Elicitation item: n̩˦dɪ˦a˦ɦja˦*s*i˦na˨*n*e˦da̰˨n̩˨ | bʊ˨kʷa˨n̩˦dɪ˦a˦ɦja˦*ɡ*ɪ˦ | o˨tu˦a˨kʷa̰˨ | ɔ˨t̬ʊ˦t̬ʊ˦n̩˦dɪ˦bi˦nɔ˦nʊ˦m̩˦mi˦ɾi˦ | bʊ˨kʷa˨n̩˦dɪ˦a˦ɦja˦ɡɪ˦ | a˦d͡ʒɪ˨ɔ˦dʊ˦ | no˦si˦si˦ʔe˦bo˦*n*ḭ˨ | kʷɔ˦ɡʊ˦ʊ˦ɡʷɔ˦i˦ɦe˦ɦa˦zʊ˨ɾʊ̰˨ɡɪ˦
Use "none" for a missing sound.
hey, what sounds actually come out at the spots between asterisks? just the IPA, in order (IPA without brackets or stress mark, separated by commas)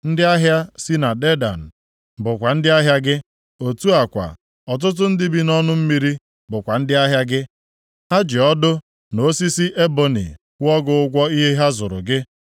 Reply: s, d, ɡ, n